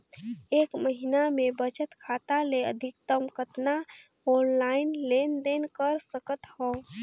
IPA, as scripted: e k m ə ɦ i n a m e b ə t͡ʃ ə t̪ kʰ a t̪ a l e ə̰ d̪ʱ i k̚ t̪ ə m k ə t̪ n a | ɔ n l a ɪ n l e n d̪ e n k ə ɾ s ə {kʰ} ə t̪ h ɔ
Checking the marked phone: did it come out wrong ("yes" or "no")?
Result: yes